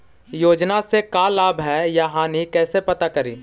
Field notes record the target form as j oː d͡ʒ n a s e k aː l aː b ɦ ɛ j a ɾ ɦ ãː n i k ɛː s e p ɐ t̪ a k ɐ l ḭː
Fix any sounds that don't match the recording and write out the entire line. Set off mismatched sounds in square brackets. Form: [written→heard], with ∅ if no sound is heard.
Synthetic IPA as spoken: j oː d͡ʒ n a s e k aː l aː b ɦ ɛ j a [ɾ→∅] ɦ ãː n i k ɛː s e p ɐ t̪ a k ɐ [l→ɾ] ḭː